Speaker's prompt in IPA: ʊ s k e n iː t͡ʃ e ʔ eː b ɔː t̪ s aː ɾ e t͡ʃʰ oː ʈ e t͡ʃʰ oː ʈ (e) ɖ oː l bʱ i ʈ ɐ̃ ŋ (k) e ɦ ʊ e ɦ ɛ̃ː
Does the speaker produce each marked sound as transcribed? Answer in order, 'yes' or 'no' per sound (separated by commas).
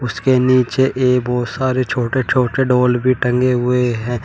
yes, no